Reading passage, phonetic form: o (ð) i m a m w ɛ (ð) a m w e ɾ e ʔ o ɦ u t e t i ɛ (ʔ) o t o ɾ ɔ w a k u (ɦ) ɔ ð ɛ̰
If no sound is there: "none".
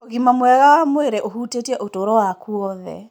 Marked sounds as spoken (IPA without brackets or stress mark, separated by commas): ɣ, ɣ, ʔ, none